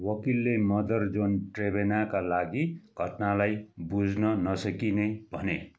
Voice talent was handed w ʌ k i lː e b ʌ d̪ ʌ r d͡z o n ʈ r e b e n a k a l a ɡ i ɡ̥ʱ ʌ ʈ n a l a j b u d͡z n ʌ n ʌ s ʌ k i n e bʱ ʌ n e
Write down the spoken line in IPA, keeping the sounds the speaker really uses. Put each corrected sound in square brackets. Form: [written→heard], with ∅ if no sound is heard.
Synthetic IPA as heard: w ʌ k i lː e [b→m] ʌ d̪ ʌ r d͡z o n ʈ r e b e n a k a l a ɡ i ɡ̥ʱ ʌ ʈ n a l a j b u d͡z n ʌ n ʌ s ʌ k i n e bʱ ʌ n e